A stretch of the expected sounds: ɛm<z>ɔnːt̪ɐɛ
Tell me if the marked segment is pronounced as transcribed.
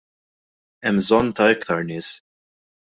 yes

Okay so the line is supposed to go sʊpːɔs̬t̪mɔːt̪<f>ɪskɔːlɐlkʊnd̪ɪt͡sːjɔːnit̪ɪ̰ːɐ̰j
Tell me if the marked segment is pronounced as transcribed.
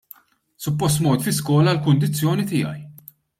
yes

